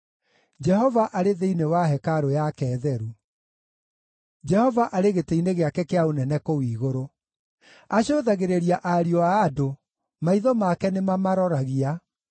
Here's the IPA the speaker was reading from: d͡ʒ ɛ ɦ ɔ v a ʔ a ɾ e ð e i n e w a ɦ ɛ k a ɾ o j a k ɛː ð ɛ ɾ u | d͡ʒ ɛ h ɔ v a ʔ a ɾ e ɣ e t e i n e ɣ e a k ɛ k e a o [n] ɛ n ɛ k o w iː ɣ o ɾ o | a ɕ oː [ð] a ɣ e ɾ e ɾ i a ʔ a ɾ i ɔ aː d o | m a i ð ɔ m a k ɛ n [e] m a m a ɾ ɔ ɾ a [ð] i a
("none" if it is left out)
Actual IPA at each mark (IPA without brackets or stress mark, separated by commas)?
n, ð, e, ɣ